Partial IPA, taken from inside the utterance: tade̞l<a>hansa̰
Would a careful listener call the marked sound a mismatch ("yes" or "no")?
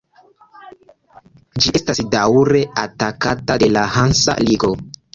no